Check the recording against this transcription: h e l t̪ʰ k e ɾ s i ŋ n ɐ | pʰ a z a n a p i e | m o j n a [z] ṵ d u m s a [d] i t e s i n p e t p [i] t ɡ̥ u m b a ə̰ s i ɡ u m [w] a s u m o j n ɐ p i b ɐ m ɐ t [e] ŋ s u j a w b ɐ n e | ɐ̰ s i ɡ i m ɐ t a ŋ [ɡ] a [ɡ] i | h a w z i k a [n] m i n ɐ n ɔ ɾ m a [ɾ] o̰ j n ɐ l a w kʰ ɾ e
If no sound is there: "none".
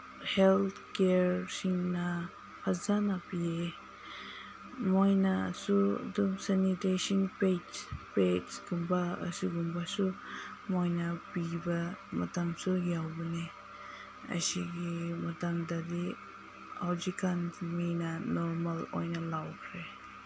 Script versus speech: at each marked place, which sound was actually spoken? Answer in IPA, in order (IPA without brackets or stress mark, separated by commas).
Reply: s, n, e, b, a, d, d, n, l